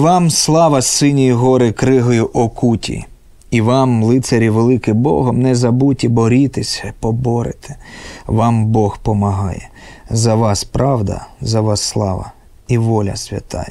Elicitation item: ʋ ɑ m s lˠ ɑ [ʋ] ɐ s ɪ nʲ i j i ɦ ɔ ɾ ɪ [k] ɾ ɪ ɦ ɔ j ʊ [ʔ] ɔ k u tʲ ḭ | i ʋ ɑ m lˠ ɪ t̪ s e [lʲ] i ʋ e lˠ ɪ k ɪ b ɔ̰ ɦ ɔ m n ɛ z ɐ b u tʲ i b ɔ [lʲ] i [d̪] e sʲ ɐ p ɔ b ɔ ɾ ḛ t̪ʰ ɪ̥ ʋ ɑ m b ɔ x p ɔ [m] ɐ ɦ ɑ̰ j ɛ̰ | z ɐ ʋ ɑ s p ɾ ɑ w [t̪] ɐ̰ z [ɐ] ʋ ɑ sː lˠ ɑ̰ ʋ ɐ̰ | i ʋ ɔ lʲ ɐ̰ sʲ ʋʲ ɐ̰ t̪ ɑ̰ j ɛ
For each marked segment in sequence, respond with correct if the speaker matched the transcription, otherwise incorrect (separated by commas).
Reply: correct, correct, correct, incorrect, incorrect, incorrect, correct, incorrect, correct